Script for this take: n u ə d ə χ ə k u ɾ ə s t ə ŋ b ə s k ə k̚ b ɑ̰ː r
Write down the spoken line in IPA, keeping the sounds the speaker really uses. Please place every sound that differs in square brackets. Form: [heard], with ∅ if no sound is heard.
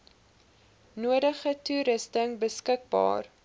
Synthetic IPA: n u ə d ə χ ə [t] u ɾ ə s t ə ŋ b ə s k ə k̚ b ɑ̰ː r